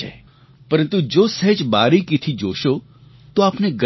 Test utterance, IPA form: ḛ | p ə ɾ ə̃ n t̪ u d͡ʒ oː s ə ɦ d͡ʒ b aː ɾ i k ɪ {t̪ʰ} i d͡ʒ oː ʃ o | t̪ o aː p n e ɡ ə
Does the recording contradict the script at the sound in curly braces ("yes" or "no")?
no